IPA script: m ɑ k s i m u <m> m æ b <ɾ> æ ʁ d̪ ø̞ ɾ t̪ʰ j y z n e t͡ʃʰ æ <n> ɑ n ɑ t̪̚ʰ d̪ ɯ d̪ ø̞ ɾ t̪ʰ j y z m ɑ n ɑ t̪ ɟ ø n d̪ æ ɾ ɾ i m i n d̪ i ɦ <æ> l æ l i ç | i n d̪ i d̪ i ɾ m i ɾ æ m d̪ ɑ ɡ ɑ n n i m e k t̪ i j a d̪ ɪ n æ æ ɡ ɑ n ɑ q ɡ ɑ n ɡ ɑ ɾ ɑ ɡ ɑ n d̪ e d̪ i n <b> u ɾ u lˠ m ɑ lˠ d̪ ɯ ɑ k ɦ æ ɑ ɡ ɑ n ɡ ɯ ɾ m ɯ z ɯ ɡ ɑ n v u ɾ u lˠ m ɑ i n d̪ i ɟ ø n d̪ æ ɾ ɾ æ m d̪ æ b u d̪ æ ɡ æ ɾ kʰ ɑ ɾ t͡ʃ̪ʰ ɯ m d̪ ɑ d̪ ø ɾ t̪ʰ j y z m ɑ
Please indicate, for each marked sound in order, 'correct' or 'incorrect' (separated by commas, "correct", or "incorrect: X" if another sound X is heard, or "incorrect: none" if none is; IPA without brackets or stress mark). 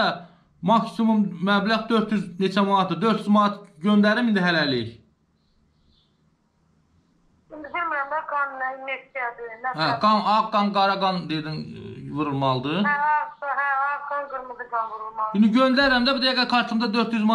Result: correct, incorrect: l, incorrect: m, correct, incorrect: v